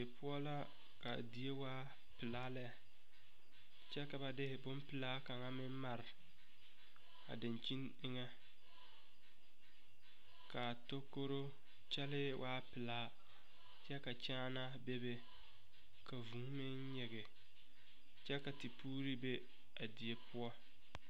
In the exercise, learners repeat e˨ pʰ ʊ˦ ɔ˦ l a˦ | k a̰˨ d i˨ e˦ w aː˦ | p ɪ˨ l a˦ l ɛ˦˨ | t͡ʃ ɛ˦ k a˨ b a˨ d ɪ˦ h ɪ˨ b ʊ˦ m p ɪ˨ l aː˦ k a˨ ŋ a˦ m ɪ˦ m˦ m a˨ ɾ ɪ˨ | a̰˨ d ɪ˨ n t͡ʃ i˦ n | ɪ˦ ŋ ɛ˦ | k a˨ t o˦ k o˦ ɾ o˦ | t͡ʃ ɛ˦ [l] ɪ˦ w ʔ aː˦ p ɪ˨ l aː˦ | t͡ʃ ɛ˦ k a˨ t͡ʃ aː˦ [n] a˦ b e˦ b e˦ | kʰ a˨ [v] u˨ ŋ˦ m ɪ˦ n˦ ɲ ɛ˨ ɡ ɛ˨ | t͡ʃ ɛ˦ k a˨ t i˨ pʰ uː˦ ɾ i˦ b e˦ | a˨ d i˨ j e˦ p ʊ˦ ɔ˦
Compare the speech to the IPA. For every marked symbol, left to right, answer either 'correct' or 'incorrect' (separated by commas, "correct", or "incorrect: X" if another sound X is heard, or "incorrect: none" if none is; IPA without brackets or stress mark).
correct, correct, correct